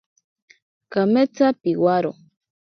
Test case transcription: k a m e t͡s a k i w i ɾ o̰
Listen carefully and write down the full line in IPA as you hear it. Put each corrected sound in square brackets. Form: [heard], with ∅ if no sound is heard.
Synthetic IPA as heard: k a m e t͡s a [p] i w [a] ɾ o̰